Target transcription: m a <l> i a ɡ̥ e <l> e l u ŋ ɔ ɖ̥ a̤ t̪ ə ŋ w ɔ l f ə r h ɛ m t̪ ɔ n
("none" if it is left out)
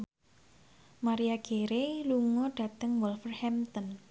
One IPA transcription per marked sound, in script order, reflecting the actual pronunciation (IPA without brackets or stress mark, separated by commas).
ɾ, ɾ